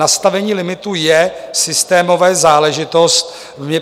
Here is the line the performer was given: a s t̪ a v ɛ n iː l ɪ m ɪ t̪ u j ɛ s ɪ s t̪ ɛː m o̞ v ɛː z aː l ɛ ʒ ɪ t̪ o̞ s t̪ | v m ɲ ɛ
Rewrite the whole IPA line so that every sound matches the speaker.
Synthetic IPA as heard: a s t̪ a v ɛ ɲ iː l ɪ m ɪ t̪ u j ɛ s ɪ s t̪ ɛː m o̞ v ɛː z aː l ɛ ʒ ɪ t̪ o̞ s t̪ | v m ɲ ɛ